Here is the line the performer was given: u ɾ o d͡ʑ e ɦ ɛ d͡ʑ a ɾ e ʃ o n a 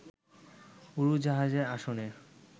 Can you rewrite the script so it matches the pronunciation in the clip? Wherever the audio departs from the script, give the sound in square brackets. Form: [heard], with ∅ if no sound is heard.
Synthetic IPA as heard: u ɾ [u] d͡ʑ [a] ɦ [a] d͡ʑ [e] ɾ [a] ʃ o n [e]